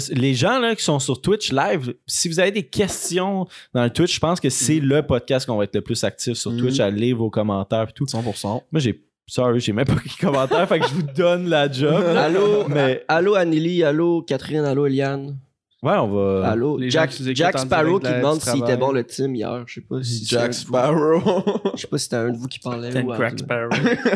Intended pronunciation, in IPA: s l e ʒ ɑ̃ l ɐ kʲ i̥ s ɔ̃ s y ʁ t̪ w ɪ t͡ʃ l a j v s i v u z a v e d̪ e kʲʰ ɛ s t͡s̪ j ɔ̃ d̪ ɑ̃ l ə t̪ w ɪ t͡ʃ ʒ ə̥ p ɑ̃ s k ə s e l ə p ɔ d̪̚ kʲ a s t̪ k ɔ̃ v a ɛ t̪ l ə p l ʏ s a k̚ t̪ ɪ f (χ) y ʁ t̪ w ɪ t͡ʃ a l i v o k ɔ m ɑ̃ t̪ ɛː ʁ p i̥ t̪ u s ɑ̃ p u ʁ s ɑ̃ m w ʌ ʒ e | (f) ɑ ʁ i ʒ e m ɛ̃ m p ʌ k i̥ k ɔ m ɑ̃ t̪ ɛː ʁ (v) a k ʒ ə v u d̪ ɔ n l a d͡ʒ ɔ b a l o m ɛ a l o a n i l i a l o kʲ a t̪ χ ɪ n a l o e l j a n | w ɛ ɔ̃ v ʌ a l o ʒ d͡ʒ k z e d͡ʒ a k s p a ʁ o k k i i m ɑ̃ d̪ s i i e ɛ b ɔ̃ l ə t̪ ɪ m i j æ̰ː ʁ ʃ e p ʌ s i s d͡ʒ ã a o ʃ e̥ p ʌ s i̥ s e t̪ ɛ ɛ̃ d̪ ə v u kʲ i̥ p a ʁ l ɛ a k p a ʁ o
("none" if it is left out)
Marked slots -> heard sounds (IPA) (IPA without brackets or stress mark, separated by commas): s, s, f